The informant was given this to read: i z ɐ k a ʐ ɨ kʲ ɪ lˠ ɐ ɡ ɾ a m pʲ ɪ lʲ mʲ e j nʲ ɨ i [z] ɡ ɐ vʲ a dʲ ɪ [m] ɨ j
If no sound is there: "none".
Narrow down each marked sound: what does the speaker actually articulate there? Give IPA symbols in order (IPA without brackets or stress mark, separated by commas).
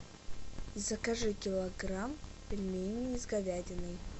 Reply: z, n